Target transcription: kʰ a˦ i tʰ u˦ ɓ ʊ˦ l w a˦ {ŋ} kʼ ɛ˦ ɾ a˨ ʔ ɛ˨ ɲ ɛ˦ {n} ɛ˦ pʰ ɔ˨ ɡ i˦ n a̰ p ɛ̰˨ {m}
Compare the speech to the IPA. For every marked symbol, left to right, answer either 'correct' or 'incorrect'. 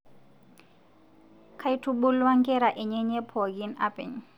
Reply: correct, incorrect, incorrect

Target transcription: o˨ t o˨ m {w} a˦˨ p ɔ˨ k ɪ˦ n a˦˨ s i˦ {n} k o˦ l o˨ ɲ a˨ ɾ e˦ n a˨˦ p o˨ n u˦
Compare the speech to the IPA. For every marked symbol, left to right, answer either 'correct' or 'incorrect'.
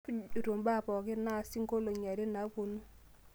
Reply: incorrect, incorrect

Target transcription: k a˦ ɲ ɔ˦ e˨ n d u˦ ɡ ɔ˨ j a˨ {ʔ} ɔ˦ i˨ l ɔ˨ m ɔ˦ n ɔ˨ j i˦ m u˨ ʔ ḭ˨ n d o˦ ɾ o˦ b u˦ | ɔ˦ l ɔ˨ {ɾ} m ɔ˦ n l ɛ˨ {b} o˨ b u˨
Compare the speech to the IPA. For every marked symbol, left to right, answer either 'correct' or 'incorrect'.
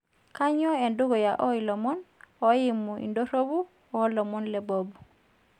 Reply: correct, incorrect, correct

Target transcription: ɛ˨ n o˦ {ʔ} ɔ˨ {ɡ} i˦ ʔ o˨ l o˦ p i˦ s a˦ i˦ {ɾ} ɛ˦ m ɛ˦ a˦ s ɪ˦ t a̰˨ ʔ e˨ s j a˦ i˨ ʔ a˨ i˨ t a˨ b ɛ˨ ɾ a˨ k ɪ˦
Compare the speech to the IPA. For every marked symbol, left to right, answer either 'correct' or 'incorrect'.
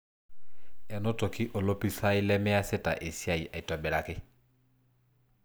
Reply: incorrect, incorrect, incorrect

